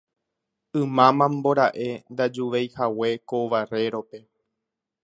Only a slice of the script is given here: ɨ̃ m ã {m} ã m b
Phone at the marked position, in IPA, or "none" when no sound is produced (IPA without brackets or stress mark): m